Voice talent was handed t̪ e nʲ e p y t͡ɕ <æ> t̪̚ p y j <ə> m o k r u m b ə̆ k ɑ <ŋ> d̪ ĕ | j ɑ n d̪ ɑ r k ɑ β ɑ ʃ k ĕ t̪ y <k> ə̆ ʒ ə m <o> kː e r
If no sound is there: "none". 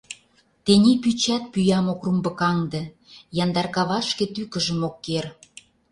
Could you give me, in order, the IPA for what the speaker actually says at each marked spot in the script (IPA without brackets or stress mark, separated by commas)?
æ, ɑ, ŋ, k, o